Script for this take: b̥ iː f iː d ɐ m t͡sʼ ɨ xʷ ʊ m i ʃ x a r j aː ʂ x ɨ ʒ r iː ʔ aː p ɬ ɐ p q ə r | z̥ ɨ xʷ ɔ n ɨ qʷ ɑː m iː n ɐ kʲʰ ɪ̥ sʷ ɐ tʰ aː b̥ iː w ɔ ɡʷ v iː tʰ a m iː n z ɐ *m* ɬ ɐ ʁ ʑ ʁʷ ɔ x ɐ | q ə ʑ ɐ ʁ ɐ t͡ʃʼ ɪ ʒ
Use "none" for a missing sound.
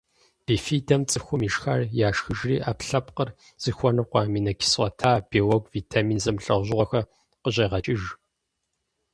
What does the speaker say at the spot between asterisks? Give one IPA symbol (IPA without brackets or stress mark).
m